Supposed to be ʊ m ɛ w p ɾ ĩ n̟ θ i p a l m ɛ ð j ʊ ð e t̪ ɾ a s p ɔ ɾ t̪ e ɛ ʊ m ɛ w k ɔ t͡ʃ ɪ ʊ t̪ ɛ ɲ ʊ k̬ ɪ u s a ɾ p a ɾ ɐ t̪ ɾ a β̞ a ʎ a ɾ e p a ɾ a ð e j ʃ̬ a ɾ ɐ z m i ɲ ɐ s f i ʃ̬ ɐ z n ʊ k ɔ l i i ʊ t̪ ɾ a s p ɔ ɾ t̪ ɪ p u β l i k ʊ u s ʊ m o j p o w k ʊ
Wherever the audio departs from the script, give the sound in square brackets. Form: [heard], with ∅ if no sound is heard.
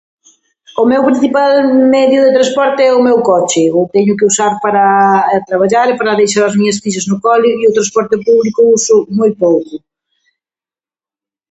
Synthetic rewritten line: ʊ m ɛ w p ɾ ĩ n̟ θ i p a l m ɛ ð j ʊ ð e t̪ ɾ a s p ɔ ɾ t̪ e ɛ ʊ m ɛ w k ɔ t͡ʃ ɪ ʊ t̪ ɛ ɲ ʊ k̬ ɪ u s a ɾ p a ɾ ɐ t̪ ɾ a β̞ a ʎ a ɾ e p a ɾ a ð e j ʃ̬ a ɾ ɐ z m i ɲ ɐ s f i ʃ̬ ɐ z n ʊ k ɔ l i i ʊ t̪ ɾ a s p ɔ ɾ t̪ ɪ p u β l i k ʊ u s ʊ m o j p o w k ʊ